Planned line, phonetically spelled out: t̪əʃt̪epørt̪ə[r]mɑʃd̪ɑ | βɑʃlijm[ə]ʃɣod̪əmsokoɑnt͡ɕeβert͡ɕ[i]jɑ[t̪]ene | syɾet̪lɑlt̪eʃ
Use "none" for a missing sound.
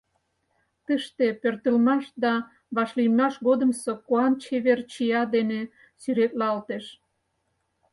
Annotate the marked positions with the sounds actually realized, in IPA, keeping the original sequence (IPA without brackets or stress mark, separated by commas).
l, ɑ, i, d̪